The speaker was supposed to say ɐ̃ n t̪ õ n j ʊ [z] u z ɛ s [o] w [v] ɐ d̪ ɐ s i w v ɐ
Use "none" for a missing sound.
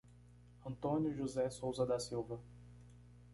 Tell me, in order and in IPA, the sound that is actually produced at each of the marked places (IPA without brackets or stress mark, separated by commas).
ʒ, o, z